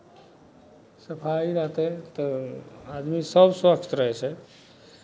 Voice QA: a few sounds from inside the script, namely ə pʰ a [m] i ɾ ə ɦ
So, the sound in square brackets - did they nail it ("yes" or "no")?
no